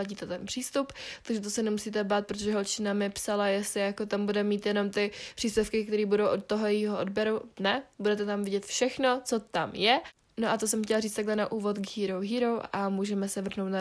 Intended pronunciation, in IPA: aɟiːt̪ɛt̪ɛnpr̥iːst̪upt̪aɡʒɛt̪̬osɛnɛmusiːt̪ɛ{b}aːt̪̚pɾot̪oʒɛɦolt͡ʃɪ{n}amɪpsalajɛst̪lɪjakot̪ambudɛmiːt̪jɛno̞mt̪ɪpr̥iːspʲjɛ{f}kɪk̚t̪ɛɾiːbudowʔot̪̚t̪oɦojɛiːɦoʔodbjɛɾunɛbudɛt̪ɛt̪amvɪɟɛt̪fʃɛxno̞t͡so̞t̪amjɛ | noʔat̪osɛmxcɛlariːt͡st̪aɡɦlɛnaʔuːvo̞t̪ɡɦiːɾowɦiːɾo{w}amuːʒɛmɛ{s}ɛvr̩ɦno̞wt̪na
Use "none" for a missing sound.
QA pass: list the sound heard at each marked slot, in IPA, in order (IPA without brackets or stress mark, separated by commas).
b, n, f, w, s